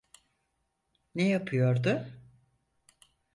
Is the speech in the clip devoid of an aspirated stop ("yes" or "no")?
no